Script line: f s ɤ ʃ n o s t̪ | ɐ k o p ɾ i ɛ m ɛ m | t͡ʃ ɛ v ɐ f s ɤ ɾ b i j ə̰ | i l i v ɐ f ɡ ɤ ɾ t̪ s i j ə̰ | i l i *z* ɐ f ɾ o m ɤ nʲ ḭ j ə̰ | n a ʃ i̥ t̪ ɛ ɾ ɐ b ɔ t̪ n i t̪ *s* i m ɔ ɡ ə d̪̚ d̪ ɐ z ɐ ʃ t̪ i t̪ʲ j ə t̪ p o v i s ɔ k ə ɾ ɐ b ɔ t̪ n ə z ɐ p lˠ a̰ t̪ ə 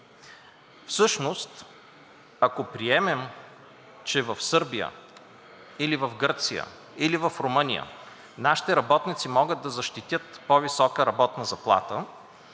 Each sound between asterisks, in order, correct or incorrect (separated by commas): incorrect, correct